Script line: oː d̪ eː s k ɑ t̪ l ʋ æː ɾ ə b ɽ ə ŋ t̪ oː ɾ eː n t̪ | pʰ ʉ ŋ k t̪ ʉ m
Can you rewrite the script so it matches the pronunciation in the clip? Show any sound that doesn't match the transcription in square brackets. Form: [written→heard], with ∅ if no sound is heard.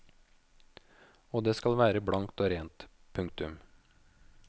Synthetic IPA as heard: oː d̪ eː s k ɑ [t̪→∅] l ʋ æː ɾ ə b ɽ [ə→ɑ] ŋ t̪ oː ɾ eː n t̪ | pʰ ʉ ŋ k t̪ ʉ m